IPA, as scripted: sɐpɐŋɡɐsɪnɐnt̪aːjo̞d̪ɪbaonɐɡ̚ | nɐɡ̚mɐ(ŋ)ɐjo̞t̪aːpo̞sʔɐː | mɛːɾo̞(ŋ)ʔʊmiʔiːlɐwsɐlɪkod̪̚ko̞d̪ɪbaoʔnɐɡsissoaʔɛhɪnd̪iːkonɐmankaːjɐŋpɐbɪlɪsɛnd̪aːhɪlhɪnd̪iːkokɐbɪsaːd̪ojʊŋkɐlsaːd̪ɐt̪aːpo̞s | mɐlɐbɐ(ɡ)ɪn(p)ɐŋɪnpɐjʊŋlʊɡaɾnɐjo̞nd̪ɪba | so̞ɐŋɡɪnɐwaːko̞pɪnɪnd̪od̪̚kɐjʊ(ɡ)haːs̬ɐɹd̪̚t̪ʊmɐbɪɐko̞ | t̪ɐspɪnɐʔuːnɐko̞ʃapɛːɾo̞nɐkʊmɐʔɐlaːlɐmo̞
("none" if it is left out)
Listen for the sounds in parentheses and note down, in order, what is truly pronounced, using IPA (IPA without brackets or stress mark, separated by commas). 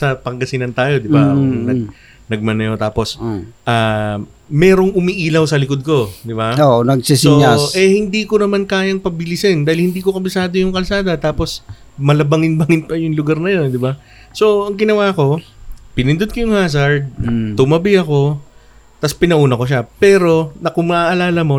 n, ŋ, ŋ, b, ŋ